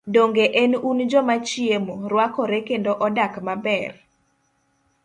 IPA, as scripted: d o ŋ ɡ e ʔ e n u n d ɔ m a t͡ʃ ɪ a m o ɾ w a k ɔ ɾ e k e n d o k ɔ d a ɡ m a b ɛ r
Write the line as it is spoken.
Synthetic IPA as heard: d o ŋ ɡ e ʔ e n u n d͡ʒ ɔ m a t͡ʃ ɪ e m o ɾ w a k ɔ ɾ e k e n d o ʔ ɔ d a k m a b ɛ r